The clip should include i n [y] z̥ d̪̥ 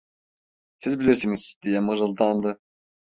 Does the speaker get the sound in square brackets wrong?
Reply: yes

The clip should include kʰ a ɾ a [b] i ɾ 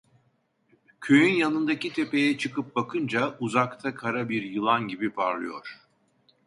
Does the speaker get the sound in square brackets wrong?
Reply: no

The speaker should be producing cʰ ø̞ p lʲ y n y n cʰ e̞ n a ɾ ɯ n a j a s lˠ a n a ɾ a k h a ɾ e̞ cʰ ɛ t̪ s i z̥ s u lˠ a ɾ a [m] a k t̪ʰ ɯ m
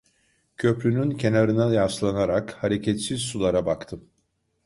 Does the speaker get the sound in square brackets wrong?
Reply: yes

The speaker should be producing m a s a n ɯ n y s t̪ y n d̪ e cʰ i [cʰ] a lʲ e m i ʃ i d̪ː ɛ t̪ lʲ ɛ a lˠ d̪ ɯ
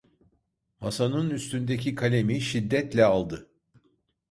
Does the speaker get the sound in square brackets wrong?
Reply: yes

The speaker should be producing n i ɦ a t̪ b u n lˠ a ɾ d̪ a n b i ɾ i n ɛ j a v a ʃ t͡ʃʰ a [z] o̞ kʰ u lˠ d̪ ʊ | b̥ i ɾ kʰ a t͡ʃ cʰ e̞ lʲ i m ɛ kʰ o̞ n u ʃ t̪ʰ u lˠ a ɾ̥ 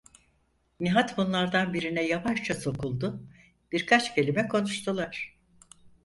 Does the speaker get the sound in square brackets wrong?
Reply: yes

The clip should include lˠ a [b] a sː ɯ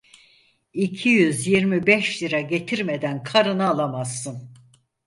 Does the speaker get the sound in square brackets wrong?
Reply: yes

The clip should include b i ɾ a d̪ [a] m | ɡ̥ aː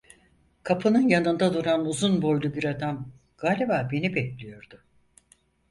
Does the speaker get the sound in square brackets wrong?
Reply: no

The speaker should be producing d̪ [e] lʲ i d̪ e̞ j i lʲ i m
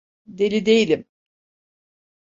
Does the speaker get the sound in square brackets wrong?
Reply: no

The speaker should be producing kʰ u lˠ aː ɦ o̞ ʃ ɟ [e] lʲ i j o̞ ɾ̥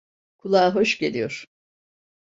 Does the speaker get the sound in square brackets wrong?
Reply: no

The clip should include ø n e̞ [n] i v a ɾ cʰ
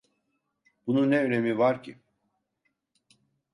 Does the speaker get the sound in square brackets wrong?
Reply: yes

